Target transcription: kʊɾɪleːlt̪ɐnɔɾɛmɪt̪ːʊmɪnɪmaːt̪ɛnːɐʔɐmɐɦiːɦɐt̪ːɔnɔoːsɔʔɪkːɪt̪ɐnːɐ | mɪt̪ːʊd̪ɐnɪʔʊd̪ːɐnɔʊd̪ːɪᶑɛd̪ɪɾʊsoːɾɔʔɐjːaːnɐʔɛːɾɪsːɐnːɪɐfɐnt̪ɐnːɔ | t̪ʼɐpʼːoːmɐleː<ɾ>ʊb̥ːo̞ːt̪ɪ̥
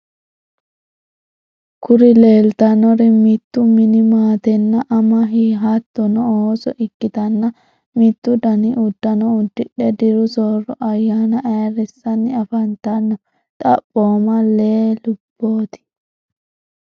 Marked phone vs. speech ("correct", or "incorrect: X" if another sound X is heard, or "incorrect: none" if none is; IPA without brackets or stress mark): incorrect: l